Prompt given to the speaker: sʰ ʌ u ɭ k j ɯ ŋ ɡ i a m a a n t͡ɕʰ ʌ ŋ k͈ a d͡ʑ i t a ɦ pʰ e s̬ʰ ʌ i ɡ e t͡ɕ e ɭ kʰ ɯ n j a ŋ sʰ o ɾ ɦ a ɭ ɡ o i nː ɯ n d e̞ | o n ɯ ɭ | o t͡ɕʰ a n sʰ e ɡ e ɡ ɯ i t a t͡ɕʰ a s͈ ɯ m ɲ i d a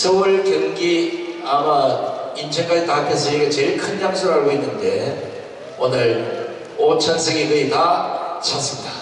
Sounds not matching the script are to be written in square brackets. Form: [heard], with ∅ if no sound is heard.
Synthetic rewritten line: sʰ ʌ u ɭ k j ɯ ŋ ɡ i a m a [i] n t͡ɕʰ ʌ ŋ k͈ a d͡ʑ i t a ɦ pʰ e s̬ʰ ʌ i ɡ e t͡ɕ e ɭ kʰ ɯ n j a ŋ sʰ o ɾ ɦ a ɭ ɡ o i nː ɯ n d e̞ | o n ɯ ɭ | o t͡ɕʰ [ʌ] n sʰ e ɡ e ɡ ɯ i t a t͡ɕʰ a s͈ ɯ m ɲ i d a